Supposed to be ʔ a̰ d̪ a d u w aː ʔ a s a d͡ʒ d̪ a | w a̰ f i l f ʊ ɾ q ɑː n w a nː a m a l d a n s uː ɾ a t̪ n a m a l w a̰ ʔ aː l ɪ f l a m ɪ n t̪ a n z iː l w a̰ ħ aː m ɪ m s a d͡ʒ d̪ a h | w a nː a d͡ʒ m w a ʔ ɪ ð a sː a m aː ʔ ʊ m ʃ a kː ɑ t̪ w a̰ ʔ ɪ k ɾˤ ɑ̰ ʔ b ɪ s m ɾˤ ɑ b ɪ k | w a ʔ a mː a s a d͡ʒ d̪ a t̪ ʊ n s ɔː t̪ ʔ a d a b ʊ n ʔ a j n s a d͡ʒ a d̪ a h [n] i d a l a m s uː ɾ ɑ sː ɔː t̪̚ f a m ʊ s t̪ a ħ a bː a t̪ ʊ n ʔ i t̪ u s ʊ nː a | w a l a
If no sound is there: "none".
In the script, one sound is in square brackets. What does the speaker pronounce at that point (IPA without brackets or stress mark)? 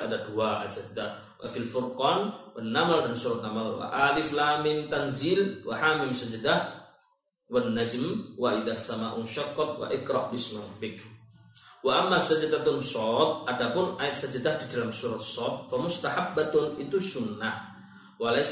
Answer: d